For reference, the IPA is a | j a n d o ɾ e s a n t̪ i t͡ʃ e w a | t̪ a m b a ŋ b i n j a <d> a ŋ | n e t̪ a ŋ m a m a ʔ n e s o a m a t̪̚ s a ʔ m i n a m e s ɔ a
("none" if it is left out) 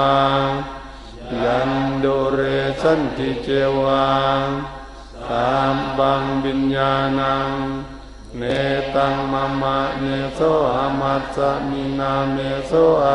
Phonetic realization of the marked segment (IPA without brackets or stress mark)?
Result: n